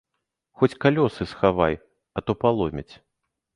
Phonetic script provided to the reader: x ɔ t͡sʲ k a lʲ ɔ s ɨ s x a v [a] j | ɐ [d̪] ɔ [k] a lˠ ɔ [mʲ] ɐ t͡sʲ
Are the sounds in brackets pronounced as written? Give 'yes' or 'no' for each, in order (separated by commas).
yes, no, no, yes